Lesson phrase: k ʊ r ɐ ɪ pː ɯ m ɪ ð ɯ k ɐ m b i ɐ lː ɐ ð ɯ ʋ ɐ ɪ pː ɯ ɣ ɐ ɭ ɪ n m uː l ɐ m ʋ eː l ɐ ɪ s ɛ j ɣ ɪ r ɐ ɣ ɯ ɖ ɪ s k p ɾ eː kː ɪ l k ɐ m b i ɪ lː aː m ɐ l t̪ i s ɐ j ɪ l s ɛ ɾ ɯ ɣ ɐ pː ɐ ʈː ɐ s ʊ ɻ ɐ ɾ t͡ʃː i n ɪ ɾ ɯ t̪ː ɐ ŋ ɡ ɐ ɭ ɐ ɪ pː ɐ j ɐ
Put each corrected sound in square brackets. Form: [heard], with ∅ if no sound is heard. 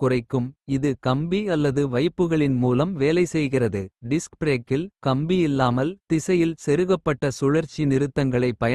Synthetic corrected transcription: k ʊ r ɐ ɪ [kː] ɯ m ɪ ð ɯ k ɐ m b i ɐ lː ɐ ð ɯ ʋ ɐ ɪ pː ɯ ɣ ɐ ɭ ɪ n m uː l ɐ m ʋ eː l ɐ ɪ s ɛ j ɣ ɪ r ɐ [ð] ɯ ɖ ɪ s k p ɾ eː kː ɪ l k ɐ m b i ɪ lː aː m ɐ l t̪ [ɪ] s ɐ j ɪ l s ɛ ɾ ɯ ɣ ɐ pː ɐ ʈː ɐ s ʊ ɻ ɐ ɾ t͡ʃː i n ɪ ɾ ɯ t̪ː ɐ ŋ ɡ ɐ ɭ ɐ ɪ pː ɐ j ɐ